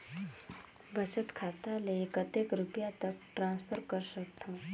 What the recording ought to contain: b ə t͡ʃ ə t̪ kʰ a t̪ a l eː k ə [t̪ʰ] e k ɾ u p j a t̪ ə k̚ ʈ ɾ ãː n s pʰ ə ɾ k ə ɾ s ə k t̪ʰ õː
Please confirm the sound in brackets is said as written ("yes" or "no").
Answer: no